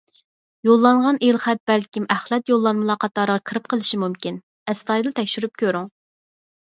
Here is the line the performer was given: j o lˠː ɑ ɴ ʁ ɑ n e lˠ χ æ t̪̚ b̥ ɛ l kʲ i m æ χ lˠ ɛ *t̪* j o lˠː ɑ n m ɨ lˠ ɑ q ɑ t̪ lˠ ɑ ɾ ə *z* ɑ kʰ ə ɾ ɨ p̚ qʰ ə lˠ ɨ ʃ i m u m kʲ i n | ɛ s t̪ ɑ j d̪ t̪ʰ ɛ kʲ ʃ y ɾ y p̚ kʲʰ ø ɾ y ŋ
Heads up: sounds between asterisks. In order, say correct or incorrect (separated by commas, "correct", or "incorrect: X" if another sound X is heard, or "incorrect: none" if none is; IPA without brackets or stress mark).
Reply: correct, incorrect: ʁ